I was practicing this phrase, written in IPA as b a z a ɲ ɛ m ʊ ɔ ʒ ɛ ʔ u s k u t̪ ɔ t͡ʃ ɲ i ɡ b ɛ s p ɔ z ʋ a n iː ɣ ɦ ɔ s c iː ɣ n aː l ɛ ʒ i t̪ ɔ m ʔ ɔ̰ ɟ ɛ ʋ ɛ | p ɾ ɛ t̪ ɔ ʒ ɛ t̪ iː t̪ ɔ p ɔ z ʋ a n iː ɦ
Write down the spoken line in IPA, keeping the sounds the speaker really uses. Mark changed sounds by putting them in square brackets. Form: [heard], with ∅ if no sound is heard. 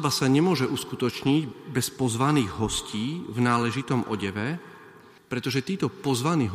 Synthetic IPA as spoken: b a [s] a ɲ ɛ m ʊ ɔ ʒ ɛ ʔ u s k u t̪ ɔ t͡ʃ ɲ i [ɟ] b ɛ s p ɔ z ʋ a n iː ɣ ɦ ɔ s c iː [v] n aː l ɛ ʒ i t̪ ɔ m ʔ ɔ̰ ɟ ɛ ʋ ɛ | p ɾ ɛ t̪ ɔ ʒ ɛ t̪ iː t̪ ɔ p ɔ z ʋ a n iː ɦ